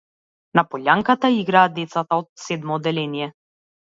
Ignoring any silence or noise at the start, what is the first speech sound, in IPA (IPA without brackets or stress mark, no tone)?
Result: n